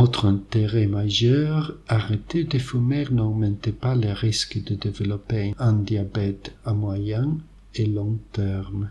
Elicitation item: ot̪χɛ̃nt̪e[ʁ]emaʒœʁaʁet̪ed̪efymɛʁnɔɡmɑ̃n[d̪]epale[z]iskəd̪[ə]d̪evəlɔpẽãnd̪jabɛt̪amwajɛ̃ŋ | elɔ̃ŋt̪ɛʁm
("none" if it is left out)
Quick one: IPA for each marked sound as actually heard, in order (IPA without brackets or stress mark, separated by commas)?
ʁ, t̪, ʁ, ə